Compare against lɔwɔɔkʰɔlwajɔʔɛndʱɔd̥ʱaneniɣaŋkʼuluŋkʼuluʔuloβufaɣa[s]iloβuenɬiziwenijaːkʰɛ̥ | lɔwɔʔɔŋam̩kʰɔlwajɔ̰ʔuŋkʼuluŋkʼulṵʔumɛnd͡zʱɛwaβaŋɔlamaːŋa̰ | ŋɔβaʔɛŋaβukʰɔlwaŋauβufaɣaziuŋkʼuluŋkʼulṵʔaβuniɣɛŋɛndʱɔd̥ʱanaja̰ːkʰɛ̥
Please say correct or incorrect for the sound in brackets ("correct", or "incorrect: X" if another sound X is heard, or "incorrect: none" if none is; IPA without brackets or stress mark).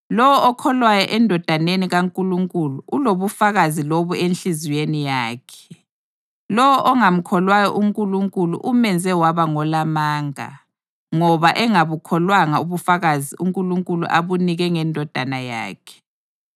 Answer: incorrect: z